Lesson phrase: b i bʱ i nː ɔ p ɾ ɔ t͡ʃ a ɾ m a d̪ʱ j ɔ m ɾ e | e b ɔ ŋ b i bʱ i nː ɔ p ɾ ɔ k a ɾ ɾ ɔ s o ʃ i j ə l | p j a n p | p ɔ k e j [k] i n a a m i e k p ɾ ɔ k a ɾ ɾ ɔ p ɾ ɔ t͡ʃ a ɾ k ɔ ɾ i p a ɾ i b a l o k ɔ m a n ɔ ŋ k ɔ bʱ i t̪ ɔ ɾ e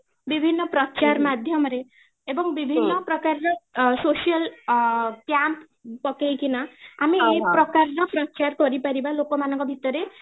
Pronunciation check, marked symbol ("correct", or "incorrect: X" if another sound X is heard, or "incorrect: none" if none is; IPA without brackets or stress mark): correct